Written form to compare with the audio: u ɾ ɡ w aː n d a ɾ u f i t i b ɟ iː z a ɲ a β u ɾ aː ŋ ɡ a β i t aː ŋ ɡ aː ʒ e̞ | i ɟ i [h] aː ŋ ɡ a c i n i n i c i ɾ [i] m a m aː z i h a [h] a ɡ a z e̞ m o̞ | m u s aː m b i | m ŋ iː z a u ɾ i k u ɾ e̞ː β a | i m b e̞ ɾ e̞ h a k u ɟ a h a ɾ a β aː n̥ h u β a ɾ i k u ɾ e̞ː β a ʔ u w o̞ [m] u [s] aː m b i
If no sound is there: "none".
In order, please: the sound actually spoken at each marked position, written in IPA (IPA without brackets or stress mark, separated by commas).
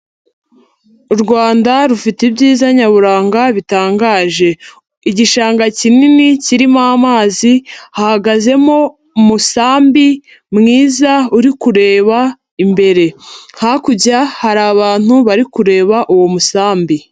ʃ, i, h, m, s